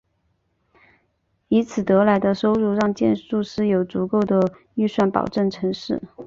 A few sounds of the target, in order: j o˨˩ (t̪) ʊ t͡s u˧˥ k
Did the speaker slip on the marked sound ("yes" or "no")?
yes